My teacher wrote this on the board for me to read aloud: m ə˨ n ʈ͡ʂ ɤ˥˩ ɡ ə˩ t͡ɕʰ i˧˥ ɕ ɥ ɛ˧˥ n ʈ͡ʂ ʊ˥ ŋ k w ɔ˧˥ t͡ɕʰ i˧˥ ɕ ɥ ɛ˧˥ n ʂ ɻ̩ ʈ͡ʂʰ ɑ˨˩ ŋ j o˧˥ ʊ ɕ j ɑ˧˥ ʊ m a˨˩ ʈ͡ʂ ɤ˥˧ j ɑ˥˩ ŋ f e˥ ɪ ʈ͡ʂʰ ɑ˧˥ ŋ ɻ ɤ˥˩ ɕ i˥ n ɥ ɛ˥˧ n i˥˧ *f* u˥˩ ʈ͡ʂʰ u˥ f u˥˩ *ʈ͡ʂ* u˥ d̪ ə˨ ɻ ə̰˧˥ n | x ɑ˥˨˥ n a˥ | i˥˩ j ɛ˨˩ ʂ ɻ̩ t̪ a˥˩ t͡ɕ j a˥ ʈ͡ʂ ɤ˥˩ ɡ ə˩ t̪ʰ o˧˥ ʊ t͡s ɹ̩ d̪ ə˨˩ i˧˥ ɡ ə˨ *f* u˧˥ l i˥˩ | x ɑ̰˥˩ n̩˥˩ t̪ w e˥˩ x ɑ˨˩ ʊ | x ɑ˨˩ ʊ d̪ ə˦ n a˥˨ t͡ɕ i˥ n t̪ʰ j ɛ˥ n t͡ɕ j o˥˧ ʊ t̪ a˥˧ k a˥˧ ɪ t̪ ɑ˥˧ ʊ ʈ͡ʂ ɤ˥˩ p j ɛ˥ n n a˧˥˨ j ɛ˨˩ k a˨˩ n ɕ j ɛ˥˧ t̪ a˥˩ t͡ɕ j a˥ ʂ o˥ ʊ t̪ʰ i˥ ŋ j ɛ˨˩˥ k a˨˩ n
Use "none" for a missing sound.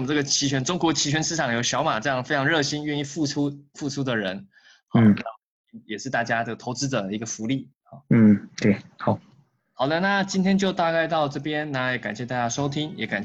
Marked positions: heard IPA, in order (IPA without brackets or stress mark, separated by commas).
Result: f, ʈ͡ʂʰ, f